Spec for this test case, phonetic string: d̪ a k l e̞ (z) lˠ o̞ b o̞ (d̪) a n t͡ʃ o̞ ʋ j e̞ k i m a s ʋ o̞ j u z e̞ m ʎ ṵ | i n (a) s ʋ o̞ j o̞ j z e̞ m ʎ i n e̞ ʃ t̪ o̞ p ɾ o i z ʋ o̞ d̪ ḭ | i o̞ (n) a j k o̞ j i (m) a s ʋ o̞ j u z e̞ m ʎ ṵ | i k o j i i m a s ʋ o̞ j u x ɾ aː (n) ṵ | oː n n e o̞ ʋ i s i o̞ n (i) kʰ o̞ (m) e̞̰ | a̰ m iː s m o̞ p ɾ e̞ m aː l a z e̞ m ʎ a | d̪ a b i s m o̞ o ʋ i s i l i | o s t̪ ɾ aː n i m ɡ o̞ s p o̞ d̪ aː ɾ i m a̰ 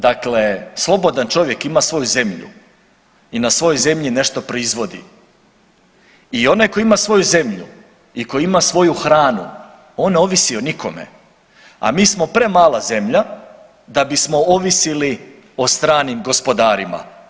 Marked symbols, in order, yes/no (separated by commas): no, yes, yes, yes, yes, yes, yes, yes